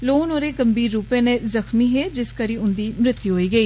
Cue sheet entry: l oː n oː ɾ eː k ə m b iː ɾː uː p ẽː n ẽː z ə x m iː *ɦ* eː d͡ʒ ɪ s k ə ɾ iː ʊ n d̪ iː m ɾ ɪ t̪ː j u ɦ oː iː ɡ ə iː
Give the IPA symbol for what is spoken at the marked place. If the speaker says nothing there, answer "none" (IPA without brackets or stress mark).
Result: ɦ